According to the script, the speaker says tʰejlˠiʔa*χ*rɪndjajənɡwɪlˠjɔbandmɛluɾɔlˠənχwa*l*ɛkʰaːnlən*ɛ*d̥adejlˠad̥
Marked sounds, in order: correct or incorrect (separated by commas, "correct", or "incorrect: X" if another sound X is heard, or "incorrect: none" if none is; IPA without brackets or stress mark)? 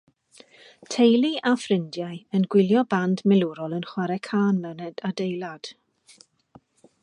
incorrect: f, incorrect: ɾ, correct